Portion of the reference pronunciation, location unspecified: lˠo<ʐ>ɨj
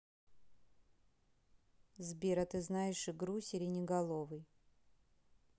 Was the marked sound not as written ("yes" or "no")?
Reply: yes